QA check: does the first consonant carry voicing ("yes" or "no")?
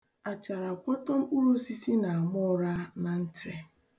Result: no